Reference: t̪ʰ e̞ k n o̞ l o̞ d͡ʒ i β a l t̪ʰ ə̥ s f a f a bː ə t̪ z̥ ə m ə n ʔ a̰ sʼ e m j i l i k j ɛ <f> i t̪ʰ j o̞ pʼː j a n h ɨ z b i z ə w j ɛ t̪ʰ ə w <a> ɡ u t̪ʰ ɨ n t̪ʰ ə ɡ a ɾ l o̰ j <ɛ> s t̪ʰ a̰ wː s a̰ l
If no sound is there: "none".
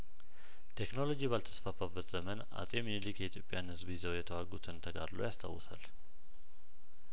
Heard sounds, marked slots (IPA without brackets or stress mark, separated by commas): none, a, a